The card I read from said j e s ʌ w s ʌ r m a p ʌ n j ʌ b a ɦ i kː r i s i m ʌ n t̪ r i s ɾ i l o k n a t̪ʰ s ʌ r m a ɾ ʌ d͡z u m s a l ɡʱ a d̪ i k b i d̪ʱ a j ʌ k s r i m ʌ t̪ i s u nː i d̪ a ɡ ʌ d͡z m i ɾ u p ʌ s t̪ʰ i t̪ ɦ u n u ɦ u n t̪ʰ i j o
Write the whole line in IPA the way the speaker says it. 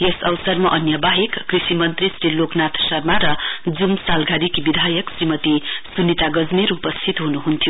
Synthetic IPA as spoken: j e s ʌ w s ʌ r m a ʔ ʌ n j ʌ b a ɦ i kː r i s i m ʌ n t̪ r i s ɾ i l o k n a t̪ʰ s ʌ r m a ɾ ʌ d͡z u m s a l ɡʱ a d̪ i k b i d̪ʱ a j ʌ k s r i m ʌ t̪ i s u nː i t̪ a ɡ ʌ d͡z m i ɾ u p ʌ s t̪ʰ i t̪ ɦ u n u ɦ u n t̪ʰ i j o